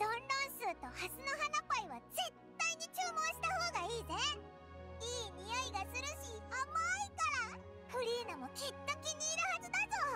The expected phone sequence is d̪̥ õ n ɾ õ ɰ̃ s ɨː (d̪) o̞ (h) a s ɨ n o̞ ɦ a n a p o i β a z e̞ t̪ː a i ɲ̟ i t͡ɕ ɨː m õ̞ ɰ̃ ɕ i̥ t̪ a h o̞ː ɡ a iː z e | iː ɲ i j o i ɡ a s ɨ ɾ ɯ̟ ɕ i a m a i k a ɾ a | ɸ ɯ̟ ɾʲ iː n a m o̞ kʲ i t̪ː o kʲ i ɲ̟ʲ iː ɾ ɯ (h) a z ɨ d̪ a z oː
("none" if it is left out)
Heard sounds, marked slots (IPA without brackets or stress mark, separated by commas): t̪, h, h